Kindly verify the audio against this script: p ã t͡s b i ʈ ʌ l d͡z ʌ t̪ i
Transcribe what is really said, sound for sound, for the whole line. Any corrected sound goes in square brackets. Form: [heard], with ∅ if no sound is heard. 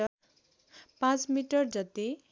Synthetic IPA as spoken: p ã t͡s [m] i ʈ ʌ [r] d͡z ʌ t̪ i